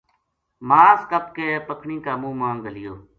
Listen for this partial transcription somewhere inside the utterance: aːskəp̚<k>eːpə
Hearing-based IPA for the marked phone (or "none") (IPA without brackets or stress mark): k